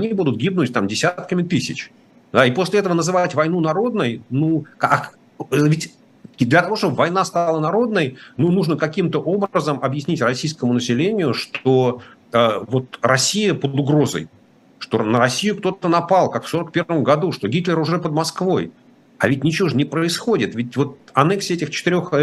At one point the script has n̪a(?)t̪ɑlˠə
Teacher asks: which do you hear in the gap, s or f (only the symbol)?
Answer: s